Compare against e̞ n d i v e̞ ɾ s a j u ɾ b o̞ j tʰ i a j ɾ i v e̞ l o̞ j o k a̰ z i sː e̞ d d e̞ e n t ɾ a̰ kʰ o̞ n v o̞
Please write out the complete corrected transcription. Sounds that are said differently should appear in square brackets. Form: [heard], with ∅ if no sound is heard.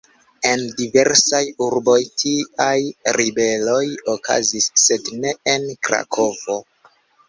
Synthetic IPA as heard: e̞ n d i v e̞ ɾ s a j u ɾ b o̞ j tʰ i a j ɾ i [b] e̞ l o̞ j o k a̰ z i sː e̞ d [n] e̞ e n [k] ɾ a̰ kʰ o̞ [∅] v o̞